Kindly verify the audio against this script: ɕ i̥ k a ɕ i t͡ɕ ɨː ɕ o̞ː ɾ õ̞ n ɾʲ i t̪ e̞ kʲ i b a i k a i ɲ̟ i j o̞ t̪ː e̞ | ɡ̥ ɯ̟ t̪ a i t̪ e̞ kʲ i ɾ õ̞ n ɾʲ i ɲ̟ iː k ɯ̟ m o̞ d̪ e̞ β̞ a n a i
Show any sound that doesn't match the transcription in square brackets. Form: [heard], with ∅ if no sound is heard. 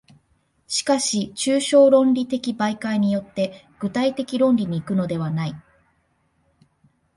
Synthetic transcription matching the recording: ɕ i̥ k a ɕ i t͡ɕ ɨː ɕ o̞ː ɾ õ̞ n ɾʲ i t̪ e̞ kʲ i b a i k a i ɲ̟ i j o̞ t̪ː e̞ | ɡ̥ ɯ̟ t̪ a i t̪ e̞ kʲ i ɾ õ̞ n ɾʲ i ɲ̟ iː k ɯ̟ [n] o̞ d̪ e̞ β̞ a n a i

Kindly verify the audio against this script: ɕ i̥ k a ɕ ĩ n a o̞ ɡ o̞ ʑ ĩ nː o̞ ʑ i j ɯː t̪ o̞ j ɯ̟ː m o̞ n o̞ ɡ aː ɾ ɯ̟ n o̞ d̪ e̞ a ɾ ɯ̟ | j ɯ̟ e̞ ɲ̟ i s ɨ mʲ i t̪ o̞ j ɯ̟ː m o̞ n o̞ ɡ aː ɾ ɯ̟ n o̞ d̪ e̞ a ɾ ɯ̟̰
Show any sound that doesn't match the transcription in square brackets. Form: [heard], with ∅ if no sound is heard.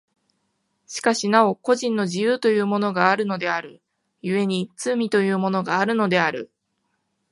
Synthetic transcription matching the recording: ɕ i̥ k a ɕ [i] n a o̞ [k] o̞ ʑ ĩ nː o̞ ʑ i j ɯː t̪ o̞ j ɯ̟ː m o̞ n o̞ ɡ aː ɾ ɯ̟ n o̞ d̪ e̞ a ɾ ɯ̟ | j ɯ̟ e̞ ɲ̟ i [t͡s] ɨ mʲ i t̪ o̞ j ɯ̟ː m o̞ n o̞ ɡ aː ɾ ɯ̟ n o̞ d̪ e̞ a ɾ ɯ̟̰

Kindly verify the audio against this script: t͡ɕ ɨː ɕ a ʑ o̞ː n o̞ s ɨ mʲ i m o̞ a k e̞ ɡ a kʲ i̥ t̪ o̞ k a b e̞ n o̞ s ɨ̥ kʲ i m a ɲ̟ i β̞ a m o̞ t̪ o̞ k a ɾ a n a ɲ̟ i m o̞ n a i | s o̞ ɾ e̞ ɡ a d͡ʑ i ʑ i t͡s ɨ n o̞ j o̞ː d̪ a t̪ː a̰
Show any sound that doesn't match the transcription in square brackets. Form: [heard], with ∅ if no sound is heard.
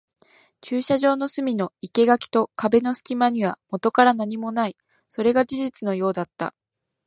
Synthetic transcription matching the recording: t͡ɕ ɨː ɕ a ʑ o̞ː n o̞ s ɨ mʲ i [n] o̞ [i] k e̞ ɡ a kʲ i̥ t̪ o̞ k a b e̞ n o̞ s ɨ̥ kʲ i m a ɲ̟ i β̞ a m o̞ t̪ o̞ k a ɾ a n a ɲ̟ i m o̞ n a i | s o̞ ɾ e̞ ɡ a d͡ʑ i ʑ i t͡s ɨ n o̞ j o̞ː d̪ a t̪ː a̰

